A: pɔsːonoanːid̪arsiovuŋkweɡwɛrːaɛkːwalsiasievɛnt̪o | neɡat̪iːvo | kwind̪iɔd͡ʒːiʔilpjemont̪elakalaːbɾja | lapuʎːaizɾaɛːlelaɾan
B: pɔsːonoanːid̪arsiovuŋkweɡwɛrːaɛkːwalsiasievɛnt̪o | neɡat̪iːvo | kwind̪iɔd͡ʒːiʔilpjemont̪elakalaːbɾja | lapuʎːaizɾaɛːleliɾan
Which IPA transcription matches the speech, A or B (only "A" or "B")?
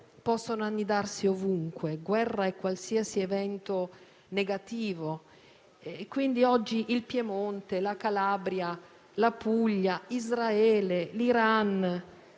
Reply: B